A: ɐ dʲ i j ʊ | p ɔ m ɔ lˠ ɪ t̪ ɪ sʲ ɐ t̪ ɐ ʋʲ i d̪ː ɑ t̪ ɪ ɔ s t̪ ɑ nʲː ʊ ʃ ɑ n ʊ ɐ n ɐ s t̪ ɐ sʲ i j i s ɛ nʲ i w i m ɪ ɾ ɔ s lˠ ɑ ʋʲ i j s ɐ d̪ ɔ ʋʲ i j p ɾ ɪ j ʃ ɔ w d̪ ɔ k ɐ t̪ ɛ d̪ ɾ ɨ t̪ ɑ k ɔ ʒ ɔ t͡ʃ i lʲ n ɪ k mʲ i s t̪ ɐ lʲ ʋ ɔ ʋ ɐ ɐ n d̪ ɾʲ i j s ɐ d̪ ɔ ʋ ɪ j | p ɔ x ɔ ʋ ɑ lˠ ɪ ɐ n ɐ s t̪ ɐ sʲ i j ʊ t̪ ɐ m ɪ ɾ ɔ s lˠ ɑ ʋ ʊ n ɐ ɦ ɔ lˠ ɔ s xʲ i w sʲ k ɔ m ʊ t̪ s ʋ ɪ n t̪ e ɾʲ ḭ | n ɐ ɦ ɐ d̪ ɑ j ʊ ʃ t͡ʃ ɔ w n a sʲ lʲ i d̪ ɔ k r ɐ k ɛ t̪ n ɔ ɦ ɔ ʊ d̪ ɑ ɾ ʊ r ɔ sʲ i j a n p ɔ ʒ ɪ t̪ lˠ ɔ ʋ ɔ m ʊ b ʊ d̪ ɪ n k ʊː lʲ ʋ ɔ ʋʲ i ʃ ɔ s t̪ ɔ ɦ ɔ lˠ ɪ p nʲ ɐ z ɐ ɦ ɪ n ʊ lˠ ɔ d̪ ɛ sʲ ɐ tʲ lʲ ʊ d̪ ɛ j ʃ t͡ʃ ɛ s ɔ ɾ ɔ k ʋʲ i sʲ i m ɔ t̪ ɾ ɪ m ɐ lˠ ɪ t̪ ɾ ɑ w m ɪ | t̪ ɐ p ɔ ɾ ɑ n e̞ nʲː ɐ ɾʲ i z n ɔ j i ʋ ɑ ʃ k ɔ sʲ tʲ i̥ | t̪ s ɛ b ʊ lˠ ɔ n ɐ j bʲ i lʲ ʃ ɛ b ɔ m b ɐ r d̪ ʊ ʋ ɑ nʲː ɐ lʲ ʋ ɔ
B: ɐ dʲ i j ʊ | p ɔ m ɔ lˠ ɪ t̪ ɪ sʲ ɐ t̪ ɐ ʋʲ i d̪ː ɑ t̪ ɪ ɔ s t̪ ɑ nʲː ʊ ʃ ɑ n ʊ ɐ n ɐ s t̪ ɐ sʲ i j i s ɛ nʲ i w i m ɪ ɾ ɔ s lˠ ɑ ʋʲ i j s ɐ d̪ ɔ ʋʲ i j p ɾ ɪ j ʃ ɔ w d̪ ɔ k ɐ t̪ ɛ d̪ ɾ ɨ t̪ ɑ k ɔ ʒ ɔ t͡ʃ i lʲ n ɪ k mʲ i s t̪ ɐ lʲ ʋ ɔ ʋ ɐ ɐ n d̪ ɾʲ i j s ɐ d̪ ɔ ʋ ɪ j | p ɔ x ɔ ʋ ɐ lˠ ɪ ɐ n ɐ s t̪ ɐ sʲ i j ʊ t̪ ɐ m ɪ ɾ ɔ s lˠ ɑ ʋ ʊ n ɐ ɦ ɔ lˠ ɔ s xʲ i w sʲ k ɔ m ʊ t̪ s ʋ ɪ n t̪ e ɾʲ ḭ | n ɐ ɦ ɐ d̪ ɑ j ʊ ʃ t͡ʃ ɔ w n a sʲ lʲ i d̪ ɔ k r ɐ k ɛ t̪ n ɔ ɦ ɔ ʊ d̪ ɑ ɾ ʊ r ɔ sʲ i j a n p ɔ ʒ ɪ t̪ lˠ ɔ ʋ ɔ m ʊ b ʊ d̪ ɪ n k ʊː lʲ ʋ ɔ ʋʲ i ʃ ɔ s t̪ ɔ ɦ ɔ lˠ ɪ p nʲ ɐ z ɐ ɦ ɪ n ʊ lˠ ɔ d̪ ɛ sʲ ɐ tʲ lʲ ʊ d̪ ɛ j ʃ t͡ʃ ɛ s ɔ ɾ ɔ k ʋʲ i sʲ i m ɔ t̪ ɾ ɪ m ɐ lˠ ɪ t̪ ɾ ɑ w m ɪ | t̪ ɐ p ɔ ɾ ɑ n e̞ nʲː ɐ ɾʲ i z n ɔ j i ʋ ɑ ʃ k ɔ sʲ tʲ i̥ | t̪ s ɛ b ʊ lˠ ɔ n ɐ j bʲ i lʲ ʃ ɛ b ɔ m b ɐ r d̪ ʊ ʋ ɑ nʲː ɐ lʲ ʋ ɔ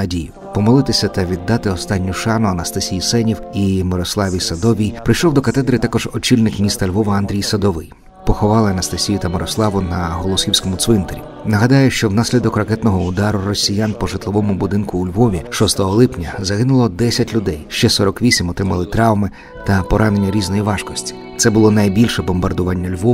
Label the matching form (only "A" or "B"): A